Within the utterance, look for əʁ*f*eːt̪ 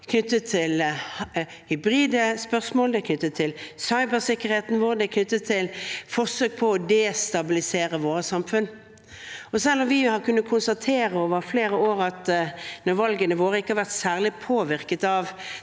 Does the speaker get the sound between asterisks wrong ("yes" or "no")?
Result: yes